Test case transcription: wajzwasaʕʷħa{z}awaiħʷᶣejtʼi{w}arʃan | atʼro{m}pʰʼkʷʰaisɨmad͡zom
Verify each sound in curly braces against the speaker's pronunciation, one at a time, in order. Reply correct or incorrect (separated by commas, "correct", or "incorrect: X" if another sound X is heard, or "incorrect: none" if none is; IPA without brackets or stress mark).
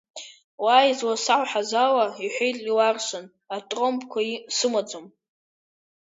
correct, correct, correct